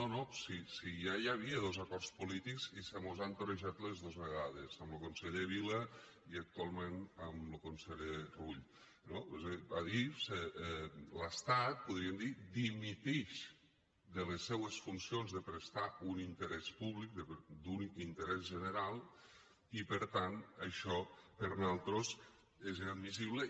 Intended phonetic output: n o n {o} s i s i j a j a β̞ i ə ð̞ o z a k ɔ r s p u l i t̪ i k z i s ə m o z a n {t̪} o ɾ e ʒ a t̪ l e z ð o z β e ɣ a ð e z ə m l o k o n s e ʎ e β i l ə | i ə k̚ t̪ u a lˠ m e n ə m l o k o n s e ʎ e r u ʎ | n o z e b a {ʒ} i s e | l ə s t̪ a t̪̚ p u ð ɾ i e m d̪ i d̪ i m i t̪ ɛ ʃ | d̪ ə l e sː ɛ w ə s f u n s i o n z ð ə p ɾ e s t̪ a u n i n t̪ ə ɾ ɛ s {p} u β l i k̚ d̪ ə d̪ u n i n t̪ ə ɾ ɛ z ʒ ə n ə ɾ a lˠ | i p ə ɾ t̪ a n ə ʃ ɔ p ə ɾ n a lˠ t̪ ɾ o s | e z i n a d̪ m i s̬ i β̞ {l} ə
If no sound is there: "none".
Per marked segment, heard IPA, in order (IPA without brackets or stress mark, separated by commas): o, t̪, ð, p, l